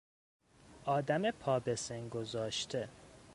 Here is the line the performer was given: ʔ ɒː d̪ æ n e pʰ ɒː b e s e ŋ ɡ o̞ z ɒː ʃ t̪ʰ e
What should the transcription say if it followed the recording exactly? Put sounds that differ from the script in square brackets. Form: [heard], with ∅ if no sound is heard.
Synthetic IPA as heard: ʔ ɒː d̪ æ [m] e pʰ ɒː b e s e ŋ ɡ o̞ z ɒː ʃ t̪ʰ e